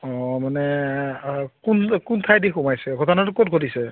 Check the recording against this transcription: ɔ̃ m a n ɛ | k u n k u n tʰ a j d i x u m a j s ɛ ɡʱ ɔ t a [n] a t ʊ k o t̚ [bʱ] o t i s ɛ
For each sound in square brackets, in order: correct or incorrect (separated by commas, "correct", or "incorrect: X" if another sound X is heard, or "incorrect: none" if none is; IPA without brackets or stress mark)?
correct, incorrect: ɡʱ